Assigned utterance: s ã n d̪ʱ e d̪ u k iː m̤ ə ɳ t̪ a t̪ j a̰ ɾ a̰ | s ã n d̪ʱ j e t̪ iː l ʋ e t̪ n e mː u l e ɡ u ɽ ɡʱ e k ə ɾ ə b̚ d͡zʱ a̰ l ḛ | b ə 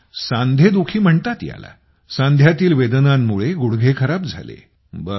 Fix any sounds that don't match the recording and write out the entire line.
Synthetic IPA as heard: s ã n d̪ʱ e d̪ u kʰ iː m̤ ə ɳ t̪ a t̪ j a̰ l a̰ | s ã n d̪ʱ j a t̪ iː l ʋ e d̪ n a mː u ɭ e ɡ u ɽ ɡʱ e kʰ ə ɾ a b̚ d͡zʱ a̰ l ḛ | b ə